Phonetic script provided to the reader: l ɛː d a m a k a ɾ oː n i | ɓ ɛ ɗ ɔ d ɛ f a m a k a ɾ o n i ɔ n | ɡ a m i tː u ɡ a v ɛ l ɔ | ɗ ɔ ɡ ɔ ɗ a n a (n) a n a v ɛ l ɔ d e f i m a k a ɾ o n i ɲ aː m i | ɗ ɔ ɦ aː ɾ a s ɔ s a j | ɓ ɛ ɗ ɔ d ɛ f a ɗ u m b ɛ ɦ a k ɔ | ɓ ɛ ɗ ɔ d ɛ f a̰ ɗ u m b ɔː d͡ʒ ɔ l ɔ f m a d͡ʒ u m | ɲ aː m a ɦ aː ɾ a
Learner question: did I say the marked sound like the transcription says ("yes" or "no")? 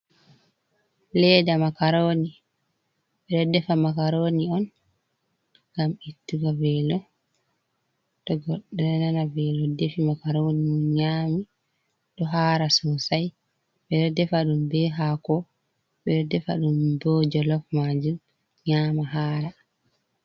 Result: yes